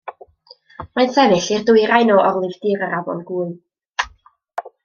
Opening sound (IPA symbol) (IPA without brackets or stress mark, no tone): m